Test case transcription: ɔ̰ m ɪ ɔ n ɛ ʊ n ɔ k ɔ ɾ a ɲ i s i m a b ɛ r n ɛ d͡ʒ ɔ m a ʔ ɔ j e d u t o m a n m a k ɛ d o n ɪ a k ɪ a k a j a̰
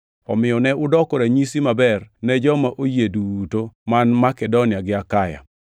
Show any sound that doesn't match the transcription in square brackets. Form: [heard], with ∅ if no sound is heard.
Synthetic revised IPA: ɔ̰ m ɪ ɔ n ɛ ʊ [d] ɔ k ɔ ɾ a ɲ i s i m a b ɛ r n ɛ d͡ʒ ɔ m a ʔ [o] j e d u t o m a n m a k ɛ d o n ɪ a [ɡ] ɪ a k a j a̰